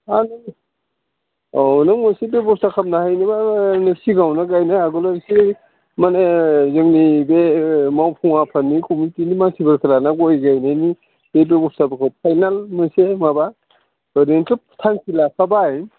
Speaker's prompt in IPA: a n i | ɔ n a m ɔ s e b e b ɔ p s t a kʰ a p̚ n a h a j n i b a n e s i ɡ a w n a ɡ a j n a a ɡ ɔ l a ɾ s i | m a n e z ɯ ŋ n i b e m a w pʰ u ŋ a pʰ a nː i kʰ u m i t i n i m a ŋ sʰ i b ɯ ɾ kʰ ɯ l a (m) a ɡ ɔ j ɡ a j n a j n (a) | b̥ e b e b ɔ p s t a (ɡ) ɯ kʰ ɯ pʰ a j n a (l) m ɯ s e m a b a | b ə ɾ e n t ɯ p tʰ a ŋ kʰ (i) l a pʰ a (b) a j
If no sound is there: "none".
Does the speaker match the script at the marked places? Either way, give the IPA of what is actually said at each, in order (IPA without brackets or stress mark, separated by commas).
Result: n, i, b, l, i, b